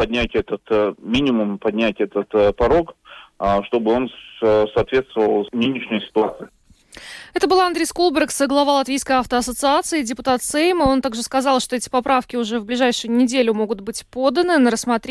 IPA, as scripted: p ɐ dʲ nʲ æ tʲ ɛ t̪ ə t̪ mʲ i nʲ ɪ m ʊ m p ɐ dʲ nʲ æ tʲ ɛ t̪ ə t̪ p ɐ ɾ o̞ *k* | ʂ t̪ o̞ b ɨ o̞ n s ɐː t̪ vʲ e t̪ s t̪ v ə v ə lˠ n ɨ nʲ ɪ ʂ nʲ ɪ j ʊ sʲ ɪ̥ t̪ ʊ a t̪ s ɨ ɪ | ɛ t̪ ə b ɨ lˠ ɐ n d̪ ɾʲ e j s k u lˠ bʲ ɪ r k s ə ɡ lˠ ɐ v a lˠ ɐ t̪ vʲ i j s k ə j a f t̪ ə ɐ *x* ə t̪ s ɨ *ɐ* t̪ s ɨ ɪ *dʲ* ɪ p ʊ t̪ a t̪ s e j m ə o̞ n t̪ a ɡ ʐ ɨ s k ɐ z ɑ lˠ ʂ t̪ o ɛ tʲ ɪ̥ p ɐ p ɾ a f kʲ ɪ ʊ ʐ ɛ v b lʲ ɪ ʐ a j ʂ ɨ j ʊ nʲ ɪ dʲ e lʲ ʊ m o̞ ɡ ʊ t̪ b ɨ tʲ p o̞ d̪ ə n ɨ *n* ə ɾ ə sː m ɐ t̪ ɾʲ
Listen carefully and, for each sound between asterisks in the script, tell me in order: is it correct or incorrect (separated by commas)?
correct, incorrect, incorrect, correct, correct